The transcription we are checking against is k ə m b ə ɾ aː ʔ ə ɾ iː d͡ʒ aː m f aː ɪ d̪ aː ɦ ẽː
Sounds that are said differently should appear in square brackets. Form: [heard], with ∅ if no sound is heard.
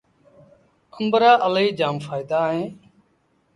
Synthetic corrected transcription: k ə m b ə ɾ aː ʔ ə [l] iː d͡ʒ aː m f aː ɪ d̪ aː ɦ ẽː